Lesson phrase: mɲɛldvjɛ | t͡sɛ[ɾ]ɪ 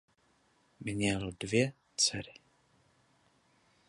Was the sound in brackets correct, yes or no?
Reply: yes